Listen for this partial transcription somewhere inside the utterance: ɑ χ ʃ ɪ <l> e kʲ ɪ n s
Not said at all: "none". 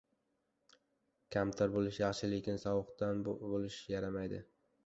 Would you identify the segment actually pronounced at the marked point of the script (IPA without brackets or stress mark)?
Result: l